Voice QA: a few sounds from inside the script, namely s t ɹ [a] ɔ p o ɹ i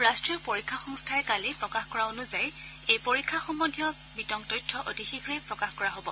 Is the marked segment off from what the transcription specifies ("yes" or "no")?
yes